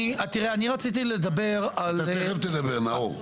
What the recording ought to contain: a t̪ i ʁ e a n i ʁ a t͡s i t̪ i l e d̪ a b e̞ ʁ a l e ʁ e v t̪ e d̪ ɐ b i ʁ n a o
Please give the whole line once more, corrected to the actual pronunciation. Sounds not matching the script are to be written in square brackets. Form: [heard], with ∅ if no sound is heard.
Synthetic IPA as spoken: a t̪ i ʁ e a n i ʁ a t͡s i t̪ i l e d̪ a b e̞ ʁ a l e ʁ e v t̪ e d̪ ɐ b [e] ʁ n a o